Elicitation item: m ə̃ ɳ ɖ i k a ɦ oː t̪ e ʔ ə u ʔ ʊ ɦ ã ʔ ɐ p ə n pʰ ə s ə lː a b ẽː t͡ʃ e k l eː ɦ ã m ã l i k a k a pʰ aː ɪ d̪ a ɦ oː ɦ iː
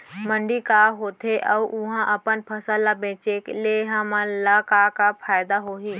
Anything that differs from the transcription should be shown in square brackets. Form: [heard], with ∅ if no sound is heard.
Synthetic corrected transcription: m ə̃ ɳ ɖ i k a ɦ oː [t̪ʰ] e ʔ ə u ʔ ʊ ɦ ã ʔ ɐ p ə n pʰ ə s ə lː a b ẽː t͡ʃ e k l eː ɦ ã m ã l [a] k a k a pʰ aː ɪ d̪ a ɦ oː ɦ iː